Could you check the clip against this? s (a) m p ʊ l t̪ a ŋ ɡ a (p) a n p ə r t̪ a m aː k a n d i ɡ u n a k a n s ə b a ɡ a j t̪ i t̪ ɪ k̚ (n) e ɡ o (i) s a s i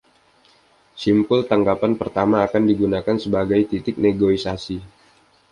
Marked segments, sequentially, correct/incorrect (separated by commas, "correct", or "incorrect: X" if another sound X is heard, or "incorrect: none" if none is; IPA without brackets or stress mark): incorrect: i, correct, correct, correct